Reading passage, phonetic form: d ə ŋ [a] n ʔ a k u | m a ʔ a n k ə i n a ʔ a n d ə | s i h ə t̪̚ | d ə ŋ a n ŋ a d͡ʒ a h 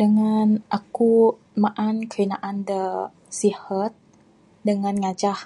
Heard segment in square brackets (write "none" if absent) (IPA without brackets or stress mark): a